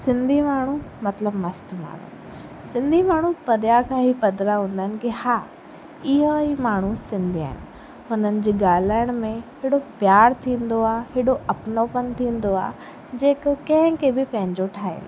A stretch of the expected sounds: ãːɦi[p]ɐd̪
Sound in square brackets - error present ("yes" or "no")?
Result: no